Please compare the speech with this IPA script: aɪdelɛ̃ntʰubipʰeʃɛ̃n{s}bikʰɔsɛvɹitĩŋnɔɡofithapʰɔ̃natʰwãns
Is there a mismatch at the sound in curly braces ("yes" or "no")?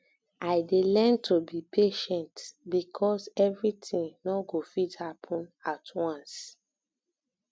yes